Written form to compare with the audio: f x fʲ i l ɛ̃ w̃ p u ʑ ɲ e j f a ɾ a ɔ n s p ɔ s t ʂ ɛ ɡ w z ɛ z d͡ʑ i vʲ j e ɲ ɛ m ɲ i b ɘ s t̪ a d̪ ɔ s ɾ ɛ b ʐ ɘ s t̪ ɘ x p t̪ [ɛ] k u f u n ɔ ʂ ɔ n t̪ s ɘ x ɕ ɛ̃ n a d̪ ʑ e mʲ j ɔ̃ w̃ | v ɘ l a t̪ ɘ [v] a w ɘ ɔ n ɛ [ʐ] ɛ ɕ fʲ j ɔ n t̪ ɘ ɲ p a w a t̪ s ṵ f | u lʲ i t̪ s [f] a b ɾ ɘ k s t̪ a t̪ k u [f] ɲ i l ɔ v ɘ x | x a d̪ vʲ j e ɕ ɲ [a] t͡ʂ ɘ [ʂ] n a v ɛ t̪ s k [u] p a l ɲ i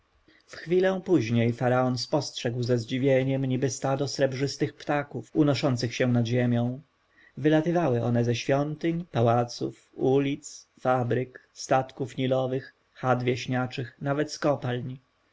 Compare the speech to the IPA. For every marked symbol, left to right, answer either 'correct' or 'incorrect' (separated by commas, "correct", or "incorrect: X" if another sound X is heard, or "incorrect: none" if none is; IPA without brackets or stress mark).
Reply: incorrect: a, correct, incorrect: z, correct, correct, correct, incorrect: x, incorrect: ɔ